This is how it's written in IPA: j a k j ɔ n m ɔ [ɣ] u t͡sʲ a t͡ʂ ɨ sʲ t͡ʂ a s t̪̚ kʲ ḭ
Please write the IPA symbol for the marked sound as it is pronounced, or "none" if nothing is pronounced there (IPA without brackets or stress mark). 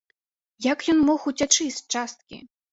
x